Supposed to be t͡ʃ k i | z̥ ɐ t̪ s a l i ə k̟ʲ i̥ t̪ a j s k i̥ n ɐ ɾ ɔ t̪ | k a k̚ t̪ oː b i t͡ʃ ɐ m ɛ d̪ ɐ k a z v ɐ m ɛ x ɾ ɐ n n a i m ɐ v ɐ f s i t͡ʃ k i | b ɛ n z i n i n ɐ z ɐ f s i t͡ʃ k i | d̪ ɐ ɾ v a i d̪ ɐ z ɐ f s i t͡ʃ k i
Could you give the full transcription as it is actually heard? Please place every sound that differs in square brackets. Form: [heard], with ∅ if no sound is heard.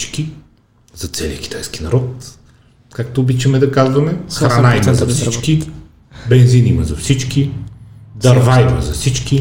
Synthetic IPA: t͡ʃ k i | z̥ ɐ t̪ s [ɛ] l i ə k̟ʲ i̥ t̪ a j s k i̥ n ɐ ɾ ɔ t̪ | k a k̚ t̪ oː b i t͡ʃ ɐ m ɛ d̪ ɐ k a z v ɐ m ɛ x ɾ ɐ n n a i m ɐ [z] ɐ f s i t͡ʃ k i | b ɛ n z i n i [m] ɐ z ɐ f s i t͡ʃ k i | d̪ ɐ ɾ v a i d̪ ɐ z ɐ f s i t͡ʃ k i